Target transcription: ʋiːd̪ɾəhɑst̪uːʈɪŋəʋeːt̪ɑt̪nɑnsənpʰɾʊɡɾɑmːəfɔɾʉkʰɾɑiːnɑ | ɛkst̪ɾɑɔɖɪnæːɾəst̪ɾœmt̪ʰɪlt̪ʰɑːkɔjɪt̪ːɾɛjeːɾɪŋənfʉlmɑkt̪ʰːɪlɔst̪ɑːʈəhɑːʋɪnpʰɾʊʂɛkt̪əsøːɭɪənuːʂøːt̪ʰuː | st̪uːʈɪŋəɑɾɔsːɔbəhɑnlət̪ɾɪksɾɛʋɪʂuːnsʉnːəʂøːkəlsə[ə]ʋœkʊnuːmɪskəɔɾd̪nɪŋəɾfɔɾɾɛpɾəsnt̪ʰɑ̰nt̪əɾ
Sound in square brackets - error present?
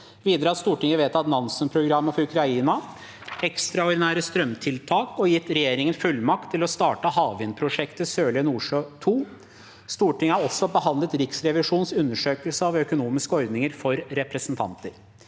yes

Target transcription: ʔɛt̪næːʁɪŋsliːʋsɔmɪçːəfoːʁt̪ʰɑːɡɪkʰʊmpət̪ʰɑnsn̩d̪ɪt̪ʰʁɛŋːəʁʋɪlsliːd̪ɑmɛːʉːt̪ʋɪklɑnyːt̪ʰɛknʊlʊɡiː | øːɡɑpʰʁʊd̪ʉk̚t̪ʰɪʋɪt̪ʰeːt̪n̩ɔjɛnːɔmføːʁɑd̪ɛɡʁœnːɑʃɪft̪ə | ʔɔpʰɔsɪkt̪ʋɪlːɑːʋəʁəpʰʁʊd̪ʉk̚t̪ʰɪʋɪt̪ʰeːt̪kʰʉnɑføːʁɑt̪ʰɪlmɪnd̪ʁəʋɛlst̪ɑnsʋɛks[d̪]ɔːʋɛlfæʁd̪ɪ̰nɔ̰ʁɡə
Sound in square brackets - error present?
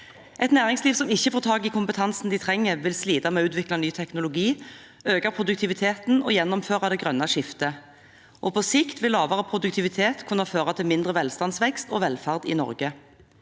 yes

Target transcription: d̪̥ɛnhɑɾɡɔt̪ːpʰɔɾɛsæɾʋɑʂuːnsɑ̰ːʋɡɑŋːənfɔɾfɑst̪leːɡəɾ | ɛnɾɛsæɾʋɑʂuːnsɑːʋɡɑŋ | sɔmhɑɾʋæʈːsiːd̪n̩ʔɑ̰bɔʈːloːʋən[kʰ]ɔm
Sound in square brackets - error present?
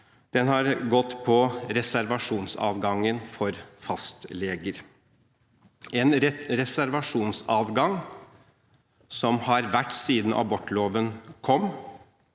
no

